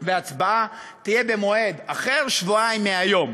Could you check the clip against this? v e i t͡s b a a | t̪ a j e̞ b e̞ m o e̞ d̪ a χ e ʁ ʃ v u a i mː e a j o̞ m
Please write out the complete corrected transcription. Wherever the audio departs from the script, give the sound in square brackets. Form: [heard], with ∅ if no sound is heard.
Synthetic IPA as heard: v e [a] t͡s b a a | t̪ [i] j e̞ b e̞ m o e̞ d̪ a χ e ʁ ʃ v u a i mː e a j o̞ m